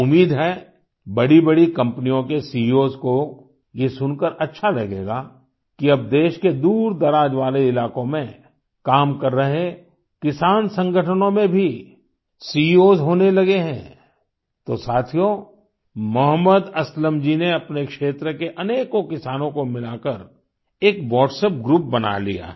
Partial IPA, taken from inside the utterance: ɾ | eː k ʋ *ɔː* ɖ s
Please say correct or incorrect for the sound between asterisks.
correct